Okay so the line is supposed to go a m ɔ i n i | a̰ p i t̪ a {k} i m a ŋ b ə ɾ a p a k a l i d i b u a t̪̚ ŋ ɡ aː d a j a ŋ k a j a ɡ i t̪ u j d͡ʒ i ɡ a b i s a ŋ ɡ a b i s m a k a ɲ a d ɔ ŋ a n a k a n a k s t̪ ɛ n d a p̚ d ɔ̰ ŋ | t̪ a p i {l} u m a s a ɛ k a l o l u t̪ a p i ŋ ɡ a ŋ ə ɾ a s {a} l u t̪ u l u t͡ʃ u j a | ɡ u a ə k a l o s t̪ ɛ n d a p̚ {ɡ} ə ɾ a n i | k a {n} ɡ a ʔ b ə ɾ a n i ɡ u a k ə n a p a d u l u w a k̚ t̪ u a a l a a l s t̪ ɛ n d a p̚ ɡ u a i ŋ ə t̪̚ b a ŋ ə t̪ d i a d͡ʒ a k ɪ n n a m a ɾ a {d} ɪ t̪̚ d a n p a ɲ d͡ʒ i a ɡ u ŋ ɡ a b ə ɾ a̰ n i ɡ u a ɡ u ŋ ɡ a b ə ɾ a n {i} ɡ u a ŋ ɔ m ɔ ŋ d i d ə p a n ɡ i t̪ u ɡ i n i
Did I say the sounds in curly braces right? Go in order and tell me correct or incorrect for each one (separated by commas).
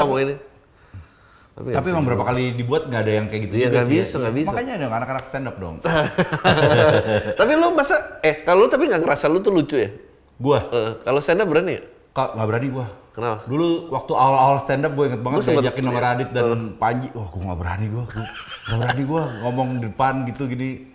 incorrect, correct, correct, incorrect, incorrect, correct, correct